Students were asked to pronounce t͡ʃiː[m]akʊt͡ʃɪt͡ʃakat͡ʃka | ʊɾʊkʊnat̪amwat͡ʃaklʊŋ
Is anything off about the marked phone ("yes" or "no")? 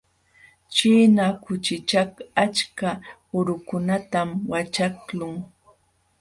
yes